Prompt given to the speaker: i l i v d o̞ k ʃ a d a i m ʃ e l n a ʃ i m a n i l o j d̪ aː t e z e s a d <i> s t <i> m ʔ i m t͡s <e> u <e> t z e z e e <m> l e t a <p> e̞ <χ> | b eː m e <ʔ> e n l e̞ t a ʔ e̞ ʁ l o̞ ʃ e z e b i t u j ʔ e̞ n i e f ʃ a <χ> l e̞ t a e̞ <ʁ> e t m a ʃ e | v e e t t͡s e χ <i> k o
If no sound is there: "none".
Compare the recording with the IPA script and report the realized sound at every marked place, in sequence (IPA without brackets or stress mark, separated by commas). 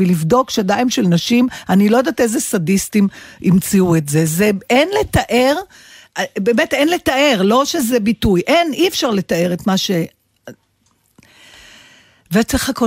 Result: i, i, i, e, n, ʔ, ʁ, t, ʁ, ʁ, a